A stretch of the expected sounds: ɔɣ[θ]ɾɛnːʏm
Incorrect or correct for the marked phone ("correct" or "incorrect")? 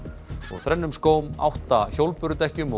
correct